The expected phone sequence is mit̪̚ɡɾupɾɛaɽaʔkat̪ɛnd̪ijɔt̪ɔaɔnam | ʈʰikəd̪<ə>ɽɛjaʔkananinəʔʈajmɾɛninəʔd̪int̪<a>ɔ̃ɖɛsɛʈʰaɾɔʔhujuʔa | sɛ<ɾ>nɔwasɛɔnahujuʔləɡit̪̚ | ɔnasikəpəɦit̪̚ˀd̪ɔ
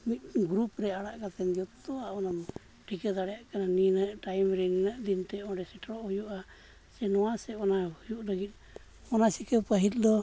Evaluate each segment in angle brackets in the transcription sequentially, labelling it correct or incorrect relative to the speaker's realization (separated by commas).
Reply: incorrect, incorrect, incorrect